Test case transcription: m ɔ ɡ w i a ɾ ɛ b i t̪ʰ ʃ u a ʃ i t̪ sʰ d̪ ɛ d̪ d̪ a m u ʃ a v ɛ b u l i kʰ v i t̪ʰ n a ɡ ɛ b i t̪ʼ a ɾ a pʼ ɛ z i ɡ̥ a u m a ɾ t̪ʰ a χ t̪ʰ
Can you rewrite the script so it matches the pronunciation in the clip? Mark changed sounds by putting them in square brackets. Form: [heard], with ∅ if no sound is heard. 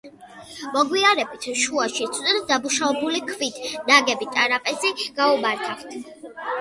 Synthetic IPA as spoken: m ɔ ɡ w i a ɾ ɛ b i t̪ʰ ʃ u a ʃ i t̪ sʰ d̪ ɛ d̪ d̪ a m u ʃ a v ɛ b u l i kʰ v i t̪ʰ n a ɡ ɛ b i t̪ʼ a ɾ a pʼ ɛ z i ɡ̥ a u m a ɾ t̪ʰ a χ t̪ʰ